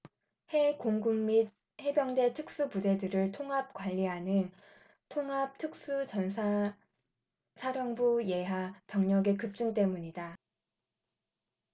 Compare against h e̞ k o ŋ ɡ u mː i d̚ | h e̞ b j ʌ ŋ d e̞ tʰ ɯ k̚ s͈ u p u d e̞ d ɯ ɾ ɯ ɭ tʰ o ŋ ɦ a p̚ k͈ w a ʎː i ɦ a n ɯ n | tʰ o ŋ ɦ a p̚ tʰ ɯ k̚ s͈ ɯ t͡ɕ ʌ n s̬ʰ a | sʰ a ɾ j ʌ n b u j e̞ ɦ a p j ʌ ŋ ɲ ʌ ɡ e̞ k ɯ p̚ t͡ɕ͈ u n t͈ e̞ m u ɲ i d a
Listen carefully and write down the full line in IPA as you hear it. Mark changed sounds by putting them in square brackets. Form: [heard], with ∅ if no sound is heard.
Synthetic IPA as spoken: h e̞ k o ŋ ɡ u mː i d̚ | h e̞ b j ʌ ŋ d e̞ tʰ ɯ k̚ s͈ u p u d e̞ d ɯ ɾ ɯ ɭ tʰ o ŋ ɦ a p̚ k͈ w a ʎː i ɦ a n ɯ n | tʰ o ŋ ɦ a p̚ tʰ ɯ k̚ s͈ [u] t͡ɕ ʌ n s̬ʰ a | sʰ a ɾ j ʌ [ŋ] b u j e̞ ɦ a p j ʌ ŋ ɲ ʌ ɡ e̞ k ɯ p̚ t͡ɕ͈ u n t͈ e̞ m u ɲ i d a